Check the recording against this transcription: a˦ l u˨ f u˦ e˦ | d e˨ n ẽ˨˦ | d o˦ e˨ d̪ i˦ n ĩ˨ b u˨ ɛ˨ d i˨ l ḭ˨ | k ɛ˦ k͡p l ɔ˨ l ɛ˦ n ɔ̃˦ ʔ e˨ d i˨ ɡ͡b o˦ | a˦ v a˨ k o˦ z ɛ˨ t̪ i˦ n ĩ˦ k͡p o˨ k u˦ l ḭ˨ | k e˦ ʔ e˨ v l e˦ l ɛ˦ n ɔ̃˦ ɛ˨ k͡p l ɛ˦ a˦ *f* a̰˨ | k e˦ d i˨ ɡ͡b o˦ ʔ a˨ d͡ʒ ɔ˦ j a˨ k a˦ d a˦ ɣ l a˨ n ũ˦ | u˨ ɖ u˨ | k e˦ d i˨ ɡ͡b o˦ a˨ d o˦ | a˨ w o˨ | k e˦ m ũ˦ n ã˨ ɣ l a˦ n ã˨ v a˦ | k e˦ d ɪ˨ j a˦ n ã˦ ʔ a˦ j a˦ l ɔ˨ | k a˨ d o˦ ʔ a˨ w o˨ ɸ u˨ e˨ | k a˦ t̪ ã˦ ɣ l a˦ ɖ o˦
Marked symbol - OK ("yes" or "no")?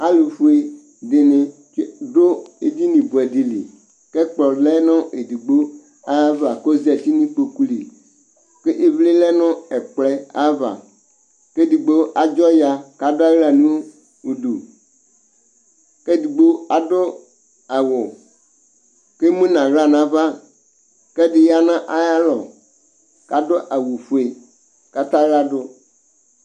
no